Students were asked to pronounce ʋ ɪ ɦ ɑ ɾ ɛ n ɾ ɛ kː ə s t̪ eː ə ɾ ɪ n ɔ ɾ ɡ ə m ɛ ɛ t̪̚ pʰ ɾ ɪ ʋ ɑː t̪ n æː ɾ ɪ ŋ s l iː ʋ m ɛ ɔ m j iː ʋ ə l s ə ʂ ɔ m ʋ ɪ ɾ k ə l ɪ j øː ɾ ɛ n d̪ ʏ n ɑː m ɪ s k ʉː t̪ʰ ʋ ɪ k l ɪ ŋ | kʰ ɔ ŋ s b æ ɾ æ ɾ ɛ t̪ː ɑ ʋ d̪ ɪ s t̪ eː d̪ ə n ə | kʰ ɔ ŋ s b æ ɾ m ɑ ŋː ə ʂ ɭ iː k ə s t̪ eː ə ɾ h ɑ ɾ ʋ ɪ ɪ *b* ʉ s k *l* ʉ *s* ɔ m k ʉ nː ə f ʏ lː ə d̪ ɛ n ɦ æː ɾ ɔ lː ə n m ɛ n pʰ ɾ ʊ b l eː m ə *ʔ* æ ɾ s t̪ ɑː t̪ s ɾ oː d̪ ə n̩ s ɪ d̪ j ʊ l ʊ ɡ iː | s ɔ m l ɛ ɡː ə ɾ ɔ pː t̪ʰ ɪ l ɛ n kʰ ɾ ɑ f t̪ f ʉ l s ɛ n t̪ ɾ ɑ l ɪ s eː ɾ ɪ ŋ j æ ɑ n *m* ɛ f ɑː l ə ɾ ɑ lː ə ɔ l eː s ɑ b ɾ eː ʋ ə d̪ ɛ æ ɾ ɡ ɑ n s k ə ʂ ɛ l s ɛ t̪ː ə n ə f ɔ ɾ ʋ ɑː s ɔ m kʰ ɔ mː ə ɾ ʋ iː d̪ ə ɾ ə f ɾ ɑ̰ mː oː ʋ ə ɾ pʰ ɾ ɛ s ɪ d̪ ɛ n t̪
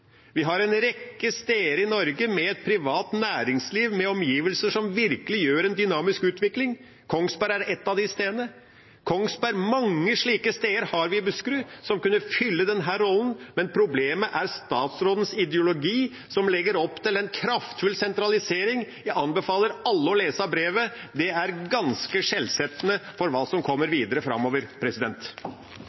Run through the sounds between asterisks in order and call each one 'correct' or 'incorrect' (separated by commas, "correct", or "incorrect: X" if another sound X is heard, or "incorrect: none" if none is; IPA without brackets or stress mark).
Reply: correct, incorrect: ɾ, correct, correct, incorrect: b